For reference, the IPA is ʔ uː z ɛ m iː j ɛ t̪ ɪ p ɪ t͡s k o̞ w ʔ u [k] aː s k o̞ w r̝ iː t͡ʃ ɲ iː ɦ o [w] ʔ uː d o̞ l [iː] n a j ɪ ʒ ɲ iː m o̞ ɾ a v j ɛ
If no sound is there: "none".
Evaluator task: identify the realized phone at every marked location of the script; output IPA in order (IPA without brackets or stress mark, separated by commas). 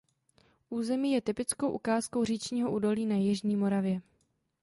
k, none, iː